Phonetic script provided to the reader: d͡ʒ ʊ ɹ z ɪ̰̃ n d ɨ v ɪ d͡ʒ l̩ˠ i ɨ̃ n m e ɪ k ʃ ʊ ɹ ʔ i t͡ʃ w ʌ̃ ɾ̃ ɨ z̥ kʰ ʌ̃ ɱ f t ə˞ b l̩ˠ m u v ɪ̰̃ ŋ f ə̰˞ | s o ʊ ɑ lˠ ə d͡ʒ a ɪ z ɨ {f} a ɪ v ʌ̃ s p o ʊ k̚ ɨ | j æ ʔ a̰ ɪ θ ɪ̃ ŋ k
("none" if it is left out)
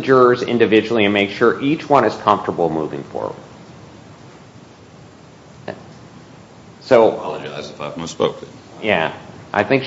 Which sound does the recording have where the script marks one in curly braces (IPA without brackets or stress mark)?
f